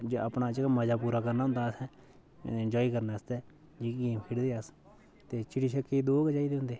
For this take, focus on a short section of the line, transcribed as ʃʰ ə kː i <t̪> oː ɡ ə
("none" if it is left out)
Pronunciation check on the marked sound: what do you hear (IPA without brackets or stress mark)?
d̪